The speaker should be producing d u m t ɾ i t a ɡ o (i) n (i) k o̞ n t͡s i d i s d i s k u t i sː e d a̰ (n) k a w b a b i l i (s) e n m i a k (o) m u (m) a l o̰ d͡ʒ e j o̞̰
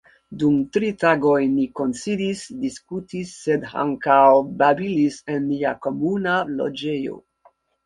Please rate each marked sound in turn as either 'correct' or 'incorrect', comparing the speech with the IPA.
incorrect: j, correct, incorrect: ŋ, correct, correct, incorrect: n

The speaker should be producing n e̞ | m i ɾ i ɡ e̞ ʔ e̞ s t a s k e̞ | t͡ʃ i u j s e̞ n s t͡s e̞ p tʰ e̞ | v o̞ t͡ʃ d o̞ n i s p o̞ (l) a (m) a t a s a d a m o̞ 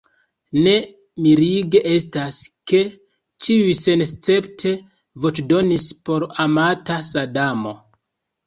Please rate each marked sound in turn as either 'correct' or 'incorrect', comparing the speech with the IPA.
incorrect: ɾ, correct

